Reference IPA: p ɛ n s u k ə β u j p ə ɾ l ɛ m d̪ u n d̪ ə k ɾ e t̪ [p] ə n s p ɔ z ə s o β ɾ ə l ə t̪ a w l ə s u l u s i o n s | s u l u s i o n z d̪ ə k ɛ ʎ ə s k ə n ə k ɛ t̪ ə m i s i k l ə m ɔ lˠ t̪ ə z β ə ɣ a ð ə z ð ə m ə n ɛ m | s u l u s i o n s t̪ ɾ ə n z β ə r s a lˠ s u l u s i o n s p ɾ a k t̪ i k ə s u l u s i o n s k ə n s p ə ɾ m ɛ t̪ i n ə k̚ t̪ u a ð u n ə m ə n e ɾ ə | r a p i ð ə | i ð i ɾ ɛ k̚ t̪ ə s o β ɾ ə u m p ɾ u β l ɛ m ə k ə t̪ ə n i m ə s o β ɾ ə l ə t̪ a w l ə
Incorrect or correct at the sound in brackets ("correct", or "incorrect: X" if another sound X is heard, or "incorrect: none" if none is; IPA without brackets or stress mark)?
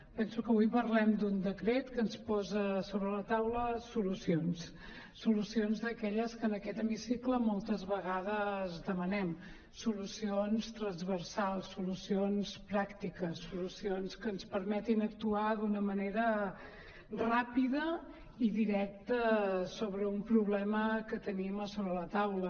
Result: incorrect: k